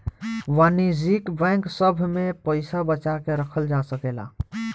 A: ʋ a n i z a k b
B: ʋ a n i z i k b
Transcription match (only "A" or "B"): B